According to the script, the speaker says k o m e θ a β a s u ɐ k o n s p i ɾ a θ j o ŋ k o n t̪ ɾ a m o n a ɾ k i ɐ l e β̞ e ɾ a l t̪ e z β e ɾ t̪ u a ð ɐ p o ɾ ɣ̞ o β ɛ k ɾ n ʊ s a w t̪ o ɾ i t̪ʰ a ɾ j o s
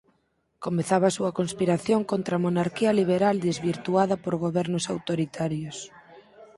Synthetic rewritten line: k o m e θ a β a s u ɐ k o n s p i ɾ a θ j o ŋ k o n t̪ ɾ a m o n a ɾ k i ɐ l i β̞ e ɾ a l d̪ e z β i ɾ t̪ u a ð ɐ p o ɾ ɣ̞ o β ɛ ɾ n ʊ s a w t̪ o ɾ i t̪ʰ a ɾ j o s